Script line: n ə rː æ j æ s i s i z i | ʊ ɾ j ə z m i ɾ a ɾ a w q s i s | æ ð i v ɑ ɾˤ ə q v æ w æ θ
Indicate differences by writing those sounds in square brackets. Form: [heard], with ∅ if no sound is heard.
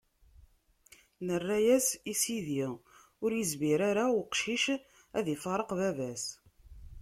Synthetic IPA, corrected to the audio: n ə rː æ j æ s i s i [ð] i | ʊ ɾ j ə z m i ɾ a ɾ a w q [ʃ] i [ʃ] | æ ð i [f] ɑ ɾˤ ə q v æ [v] æ [s]